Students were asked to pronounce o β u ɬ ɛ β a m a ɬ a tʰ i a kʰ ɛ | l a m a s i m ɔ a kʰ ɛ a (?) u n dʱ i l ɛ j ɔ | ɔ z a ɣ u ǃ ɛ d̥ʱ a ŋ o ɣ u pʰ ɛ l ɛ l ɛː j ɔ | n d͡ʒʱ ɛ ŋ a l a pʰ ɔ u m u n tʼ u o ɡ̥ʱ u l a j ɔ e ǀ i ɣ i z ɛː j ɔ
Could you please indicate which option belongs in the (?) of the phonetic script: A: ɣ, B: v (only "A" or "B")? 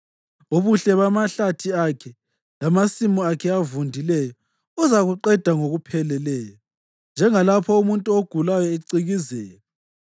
B